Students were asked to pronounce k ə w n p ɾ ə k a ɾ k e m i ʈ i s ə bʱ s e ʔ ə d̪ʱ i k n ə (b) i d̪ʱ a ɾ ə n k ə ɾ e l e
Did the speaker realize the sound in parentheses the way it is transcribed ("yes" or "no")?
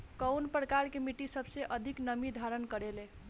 no